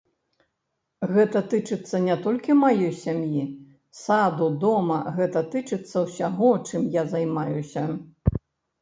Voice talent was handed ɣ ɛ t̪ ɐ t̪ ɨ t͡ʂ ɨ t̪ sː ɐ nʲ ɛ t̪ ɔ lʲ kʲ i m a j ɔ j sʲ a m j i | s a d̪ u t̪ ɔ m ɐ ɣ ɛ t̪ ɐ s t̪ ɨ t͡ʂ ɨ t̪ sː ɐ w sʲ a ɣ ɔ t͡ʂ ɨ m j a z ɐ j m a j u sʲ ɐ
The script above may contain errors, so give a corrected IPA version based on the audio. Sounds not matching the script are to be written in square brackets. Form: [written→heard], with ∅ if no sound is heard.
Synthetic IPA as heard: ɣ ɛ t̪ ɐ t̪ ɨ t͡ʂ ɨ t̪ sː ɐ nʲ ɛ t̪ ɔ lʲ kʲ i m a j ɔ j sʲ a m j i | s a d̪ u [t̪→d̪] ɔ m ɐ ɣ ɛ t̪ ɐ [s→∅] t̪ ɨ t͡ʂ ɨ t̪ sː ɐ w sʲ a ɣ ɔ t͡ʂ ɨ m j a z [ɐ→a] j m a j u sʲ ɐ